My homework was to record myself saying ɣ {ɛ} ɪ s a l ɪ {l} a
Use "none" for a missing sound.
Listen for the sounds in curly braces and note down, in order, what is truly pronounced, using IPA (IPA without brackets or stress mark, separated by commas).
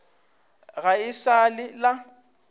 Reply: a, l